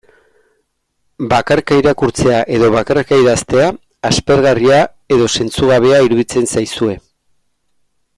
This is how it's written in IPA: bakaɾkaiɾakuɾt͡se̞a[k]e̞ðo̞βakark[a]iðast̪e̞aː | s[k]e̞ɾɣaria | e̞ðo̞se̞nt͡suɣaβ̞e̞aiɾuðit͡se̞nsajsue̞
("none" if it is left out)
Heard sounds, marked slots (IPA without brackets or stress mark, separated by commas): ʔ, a, p